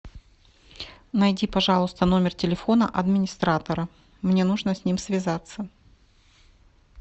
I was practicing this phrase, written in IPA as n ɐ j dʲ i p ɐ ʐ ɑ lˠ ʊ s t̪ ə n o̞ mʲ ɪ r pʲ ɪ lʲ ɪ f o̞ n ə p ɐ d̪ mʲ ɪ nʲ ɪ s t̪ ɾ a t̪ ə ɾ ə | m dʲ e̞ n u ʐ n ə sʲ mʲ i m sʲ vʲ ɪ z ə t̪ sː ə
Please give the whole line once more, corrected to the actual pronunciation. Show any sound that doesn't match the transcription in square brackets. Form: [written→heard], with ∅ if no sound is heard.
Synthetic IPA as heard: n ɐ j dʲ i p ɐ ʐ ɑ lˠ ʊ s t̪ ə n o̞ mʲ ɪ r [pʲ→tʲ] ɪ lʲ ɪ f o̞ n ə [p→ʔ] ɐ d̪ mʲ ɪ nʲ ɪ s t̪ ɾ a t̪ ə ɾ ə | m [dʲ→nʲ] e̞ n u ʐ n ə sʲ [mʲ→nʲ] i m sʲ vʲ ɪ z [ə→a] t̪ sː ə